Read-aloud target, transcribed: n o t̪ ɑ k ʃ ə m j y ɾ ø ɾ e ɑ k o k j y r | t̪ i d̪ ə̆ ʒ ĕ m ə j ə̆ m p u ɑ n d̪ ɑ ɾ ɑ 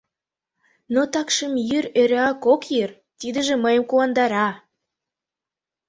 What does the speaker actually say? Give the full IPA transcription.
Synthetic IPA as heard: n o t̪ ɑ k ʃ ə m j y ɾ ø ɾ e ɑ k o k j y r | t̪ i d̪ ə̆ ʒ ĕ m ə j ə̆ m k u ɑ n d̪ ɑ ɾ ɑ